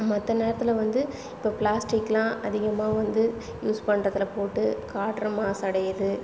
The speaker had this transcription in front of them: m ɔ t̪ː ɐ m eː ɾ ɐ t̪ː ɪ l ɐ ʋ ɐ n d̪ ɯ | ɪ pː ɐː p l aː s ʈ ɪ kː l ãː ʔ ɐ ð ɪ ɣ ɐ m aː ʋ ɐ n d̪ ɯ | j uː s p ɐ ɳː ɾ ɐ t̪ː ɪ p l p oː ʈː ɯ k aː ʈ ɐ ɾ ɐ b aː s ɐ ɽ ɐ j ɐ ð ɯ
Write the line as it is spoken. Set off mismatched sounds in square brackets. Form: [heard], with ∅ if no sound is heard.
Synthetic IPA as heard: m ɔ t̪ː ɐ [n] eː ɾ ɐ t̪ː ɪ l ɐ ʋ ɐ n d̪ ɯ | ɪ pː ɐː p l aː s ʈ ɪ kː l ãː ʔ ɐ ð ɪ ɣ ɐ m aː ʋ ɐ n d̪ ɯ | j uː s p ɐ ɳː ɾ ɐ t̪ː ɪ [∅] l p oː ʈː ɯ k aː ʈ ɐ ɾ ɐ [m] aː s ɐ ɽ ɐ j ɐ ð ɯ

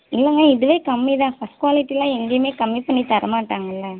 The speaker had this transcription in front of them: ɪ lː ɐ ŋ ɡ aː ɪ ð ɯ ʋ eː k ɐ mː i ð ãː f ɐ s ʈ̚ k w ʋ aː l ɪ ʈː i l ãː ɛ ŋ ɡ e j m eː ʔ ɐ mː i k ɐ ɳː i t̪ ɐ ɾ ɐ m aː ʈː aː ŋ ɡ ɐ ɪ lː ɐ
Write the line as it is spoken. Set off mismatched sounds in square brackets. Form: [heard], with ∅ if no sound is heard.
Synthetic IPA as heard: ɪ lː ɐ ŋ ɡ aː ɪ ð ɯ ʋ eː k ɐ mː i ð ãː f ɐ s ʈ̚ k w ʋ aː l ɪ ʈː i l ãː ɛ ŋ ɡ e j m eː [k] ɐ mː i [p] ɐ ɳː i t̪ ɐ ɾ ɐ m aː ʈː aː ŋ ɡ ɐ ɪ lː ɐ

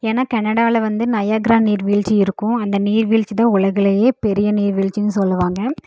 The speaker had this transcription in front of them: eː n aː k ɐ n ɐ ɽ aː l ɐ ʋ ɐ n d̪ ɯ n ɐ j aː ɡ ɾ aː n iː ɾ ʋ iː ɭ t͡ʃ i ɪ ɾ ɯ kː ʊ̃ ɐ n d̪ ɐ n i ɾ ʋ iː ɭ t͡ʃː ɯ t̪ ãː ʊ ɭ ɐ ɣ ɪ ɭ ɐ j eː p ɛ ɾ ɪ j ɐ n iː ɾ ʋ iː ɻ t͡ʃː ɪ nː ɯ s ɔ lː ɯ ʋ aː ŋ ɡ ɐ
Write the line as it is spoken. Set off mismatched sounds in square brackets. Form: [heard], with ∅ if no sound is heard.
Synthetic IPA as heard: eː n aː k ɐ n ɐ ɽ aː l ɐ ʋ ɐ n d̪ ɯ n ɐ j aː ɡ ɾ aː n iː ɾ ʋ iː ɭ t͡ʃ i ɪ ɾ ɯ kː ʊ̃ ɐ n d̪ ɐ n [iː] ɾ ʋ iː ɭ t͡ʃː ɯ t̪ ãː ʊ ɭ ɐ ɣ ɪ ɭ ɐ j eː p ɛ ɾ ɪ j ɐ n iː ɾ ʋ iː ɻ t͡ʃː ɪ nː ɯ s ɔ lː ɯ ʋ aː ŋ ɡ ɐ

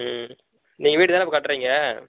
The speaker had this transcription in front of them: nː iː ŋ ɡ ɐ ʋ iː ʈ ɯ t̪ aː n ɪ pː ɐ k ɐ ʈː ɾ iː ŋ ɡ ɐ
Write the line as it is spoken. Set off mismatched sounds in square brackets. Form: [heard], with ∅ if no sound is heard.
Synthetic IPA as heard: [n] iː ŋ ɡ ɐ ʋ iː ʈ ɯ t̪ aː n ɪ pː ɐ k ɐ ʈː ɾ iː ŋ ɡ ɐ

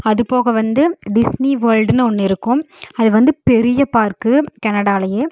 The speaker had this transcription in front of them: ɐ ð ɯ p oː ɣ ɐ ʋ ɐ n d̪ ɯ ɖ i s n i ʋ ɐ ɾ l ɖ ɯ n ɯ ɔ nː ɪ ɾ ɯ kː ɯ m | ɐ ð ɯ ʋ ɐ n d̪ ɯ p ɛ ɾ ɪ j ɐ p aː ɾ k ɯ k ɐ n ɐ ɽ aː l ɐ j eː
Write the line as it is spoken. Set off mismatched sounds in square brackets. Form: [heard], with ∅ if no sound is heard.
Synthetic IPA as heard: ɐ ð ɯ p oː ɣ ɐ ʋ ɐ n d̪ ɯ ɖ [ɪ] s n i ʋ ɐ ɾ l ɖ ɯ n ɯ ɔ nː ɪ ɾ ɯ kː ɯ m | ɐ ð ɯ ʋ ɐ n d̪ ɯ p ɛ ɾ ɪ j ɐ p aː ɾ k ɯ k ɐ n ɐ ɽ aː l ɐ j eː

